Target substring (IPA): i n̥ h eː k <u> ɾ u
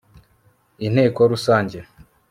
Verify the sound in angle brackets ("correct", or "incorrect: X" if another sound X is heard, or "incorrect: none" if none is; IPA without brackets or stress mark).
incorrect: o